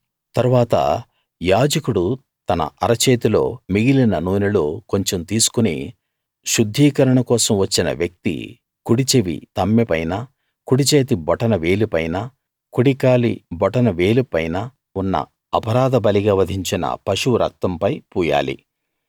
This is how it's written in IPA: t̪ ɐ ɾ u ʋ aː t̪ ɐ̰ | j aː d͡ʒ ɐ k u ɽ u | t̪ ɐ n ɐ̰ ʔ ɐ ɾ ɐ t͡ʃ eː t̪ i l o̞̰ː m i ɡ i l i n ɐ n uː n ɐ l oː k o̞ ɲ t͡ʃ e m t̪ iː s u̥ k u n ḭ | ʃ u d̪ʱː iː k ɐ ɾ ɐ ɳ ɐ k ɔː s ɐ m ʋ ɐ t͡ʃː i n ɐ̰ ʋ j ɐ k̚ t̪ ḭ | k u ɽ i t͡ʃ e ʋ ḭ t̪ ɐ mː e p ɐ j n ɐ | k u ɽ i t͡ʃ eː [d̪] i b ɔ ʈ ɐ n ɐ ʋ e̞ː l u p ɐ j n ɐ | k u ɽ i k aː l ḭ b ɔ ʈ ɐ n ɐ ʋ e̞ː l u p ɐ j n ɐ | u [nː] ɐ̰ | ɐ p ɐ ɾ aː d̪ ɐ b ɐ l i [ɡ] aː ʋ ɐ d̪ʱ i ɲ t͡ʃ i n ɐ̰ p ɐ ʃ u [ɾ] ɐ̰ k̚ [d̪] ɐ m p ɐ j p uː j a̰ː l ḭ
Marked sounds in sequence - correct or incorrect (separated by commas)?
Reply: incorrect, correct, correct, correct, incorrect